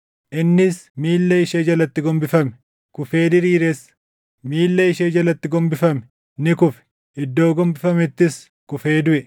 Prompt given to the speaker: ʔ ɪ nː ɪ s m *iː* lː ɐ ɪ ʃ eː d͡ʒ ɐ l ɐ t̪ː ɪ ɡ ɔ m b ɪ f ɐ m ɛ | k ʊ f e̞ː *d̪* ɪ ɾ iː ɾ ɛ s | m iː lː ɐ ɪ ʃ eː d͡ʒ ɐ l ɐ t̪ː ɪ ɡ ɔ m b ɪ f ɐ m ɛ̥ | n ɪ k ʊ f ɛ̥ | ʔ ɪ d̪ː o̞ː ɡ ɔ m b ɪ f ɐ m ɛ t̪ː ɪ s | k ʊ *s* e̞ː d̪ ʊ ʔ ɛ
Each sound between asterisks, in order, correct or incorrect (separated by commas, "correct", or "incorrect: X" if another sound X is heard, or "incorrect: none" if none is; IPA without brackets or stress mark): correct, correct, incorrect: f